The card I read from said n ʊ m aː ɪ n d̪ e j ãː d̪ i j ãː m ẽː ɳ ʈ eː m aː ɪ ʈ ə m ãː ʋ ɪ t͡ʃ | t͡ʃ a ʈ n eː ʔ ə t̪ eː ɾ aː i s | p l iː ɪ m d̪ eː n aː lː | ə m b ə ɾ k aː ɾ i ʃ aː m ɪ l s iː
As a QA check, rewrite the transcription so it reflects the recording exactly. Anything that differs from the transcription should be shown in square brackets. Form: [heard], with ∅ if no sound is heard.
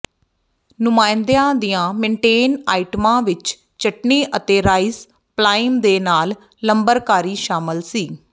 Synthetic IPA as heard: n ʊ m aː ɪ n d̪ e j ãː d̪ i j ãː m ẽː ɳ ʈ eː [n] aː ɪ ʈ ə m ãː ʋ ɪ t͡ʃ | t͡ʃ [ə] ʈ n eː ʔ ə t̪ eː ɾ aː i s | p l [aː] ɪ m d̪ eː n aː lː | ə m b ə ɾ k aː ɾ [iː] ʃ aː m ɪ l s iː